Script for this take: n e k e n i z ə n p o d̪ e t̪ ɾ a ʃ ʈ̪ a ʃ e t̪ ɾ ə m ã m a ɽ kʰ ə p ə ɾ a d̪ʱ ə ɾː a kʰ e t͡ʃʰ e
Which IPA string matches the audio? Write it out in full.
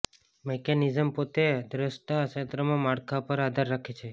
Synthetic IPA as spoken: m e k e n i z ə m p o t̪ e d̪ ɾ ə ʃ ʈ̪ a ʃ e t̪ ɾ ə m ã m a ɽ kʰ a p ə ɾ a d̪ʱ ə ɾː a kʰ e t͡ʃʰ e